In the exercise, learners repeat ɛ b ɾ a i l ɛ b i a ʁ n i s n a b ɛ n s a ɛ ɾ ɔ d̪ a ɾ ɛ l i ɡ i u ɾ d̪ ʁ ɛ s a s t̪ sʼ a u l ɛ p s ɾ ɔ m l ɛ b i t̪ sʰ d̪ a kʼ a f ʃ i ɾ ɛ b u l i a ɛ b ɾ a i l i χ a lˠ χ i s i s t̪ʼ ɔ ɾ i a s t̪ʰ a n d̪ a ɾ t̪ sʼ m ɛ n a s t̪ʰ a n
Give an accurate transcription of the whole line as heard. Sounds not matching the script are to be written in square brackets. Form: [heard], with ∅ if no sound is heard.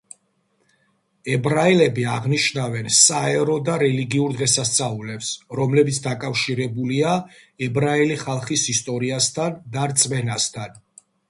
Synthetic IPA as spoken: ɛ b ɾ a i l ɛ b i a ʁ n i [ʃ] n a [v] ɛ n s a ɛ ɾ ɔ d̪ a ɾ ɛ l i ɡ i u ɾ d̪ ʁ ɛ s a s t̪ sʼ a u l ɛ p s ɾ ɔ m l ɛ b i t̪ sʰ d̪ a kʼ a f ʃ i ɾ ɛ b u l i a ɛ b ɾ a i l i χ a lˠ χ i s i s t̪ʼ ɔ ɾ i a s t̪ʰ a n d̪ a ɾ t̪ sʼ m ɛ n a s t̪ʰ a n